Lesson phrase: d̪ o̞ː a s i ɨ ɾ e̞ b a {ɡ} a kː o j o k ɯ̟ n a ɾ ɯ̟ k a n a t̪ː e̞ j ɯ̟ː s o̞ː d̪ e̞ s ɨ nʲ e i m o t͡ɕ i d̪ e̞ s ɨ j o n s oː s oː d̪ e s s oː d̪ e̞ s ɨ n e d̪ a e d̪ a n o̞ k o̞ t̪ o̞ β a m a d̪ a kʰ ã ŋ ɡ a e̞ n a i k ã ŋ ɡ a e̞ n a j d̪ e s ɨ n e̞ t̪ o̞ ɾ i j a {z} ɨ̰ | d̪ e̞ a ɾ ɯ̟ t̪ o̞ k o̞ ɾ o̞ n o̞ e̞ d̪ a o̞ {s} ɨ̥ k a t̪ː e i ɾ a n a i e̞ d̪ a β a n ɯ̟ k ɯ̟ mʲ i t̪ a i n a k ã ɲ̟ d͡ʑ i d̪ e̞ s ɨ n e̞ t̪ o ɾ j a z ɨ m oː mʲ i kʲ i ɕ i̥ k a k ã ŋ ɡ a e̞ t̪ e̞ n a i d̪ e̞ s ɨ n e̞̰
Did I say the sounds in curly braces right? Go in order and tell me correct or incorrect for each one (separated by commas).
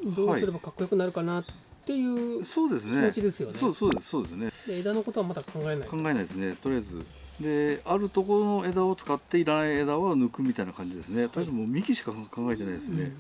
incorrect, correct, incorrect